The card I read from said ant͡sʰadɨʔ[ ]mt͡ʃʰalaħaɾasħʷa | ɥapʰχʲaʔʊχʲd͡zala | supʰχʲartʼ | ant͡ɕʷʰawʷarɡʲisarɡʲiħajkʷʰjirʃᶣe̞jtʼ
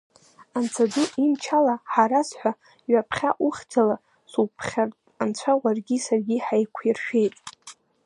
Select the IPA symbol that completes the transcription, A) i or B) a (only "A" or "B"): A